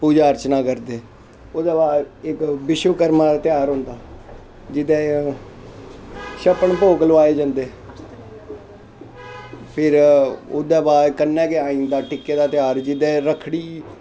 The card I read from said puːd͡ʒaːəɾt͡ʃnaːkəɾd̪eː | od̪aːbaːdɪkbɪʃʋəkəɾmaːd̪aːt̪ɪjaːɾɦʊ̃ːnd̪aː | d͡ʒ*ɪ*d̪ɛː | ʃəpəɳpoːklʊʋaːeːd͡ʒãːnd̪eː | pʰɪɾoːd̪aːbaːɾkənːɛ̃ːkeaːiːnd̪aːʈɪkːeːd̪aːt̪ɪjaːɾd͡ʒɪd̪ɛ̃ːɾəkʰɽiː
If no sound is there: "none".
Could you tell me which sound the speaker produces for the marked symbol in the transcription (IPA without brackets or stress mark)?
ɪ